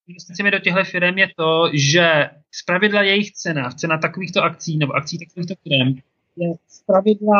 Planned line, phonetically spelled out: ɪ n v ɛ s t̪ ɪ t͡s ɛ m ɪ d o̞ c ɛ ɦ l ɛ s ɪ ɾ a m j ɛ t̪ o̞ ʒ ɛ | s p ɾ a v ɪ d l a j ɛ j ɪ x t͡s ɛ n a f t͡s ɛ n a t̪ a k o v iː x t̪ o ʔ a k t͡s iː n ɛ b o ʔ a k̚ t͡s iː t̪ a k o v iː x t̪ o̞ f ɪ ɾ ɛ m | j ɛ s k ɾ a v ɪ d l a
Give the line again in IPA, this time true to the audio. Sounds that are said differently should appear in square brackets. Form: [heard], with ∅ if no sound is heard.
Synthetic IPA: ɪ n v ɛ s t̪ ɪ t͡s ɛ m ɪ d o̞ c ɛ ɦ l ɛ [f] ɪ ɾ [ɛ] m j ɛ t̪ o̞ ʒ ɛ | s p ɾ a v ɪ d l a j ɛ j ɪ x t͡s ɛ n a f t͡s ɛ n a t̪ a k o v iː x t̪ o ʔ a k t͡s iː n ɛ b o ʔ a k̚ t͡s iː t̪ a k o v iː x t̪ o̞ f ɪ ɾ ɛ m | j ɛ s [p] ɾ a v ɪ d l a